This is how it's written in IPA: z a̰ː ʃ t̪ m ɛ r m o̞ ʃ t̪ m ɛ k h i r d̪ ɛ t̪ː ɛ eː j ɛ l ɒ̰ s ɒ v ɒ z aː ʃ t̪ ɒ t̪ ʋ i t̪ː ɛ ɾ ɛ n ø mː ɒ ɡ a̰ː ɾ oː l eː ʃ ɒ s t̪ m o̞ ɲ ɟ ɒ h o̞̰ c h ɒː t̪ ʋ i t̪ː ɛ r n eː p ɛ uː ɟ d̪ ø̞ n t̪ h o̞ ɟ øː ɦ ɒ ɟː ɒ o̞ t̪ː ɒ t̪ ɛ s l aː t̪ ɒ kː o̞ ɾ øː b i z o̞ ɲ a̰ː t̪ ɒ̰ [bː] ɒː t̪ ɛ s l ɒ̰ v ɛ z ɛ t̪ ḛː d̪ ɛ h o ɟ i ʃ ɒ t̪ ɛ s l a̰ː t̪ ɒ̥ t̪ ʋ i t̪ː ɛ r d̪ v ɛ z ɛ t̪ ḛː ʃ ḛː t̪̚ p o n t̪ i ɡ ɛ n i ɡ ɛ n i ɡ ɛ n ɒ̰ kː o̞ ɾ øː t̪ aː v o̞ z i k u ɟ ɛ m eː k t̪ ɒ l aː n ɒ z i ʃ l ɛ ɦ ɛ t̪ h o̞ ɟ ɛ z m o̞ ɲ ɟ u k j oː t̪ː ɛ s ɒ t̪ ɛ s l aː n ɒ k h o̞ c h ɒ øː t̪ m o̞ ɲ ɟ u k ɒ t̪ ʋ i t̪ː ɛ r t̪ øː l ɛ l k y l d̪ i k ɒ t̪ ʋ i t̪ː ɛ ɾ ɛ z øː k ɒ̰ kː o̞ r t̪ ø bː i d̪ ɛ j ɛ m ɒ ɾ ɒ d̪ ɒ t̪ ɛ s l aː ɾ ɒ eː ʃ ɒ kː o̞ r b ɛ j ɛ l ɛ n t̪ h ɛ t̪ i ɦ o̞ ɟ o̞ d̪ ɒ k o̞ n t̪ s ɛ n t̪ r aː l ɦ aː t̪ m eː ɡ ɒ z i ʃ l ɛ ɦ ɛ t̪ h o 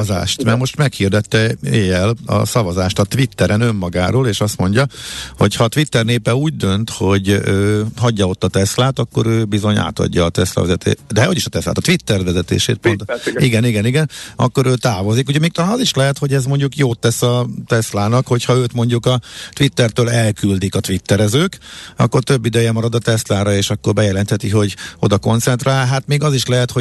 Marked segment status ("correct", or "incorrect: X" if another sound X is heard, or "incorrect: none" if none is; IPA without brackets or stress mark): incorrect: ɟː